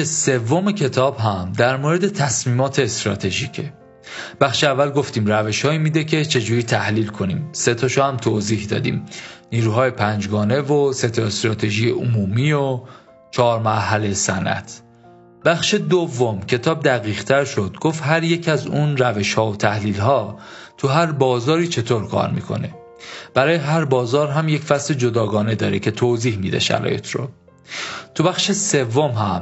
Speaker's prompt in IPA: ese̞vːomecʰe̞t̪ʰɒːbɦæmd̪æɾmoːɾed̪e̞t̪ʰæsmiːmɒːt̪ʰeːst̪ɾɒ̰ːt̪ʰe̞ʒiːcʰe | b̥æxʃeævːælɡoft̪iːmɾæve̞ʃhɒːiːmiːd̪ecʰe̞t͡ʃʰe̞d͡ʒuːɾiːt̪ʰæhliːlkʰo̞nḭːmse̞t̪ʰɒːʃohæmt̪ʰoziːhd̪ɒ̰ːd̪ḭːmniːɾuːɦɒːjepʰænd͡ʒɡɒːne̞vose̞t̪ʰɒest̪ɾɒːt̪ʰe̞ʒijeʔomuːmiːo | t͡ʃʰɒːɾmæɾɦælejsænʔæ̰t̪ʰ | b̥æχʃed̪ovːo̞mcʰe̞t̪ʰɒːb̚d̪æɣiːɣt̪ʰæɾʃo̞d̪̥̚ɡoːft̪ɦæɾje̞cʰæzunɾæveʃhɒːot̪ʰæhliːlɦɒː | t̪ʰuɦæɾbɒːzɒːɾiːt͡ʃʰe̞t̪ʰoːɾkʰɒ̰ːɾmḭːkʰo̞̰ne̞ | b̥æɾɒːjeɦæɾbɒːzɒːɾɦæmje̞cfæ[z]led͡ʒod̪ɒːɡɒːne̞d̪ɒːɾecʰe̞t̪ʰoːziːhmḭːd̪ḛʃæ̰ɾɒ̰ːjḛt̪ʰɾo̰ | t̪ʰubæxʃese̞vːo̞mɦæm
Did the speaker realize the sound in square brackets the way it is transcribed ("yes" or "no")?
no